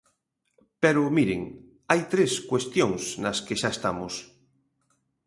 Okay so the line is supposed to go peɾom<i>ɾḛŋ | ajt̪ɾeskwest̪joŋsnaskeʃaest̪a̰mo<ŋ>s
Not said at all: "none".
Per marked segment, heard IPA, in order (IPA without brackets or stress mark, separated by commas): i, none